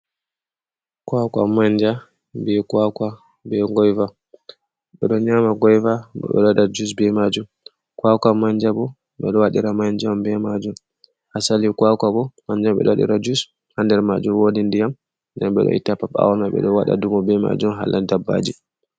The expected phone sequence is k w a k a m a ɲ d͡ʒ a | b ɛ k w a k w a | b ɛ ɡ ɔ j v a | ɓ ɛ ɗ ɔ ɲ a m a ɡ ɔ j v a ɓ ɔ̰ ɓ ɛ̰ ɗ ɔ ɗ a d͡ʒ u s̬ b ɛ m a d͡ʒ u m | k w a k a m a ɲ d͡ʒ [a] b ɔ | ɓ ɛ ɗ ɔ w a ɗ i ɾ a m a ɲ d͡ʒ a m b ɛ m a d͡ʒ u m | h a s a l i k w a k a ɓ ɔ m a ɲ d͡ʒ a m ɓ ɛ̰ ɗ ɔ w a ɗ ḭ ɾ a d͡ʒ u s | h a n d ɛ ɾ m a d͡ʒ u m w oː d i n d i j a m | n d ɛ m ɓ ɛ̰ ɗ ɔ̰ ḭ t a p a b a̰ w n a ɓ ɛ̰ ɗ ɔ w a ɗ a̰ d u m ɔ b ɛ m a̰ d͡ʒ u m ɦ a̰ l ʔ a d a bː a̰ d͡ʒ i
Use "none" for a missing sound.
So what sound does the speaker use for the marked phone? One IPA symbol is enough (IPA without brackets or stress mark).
a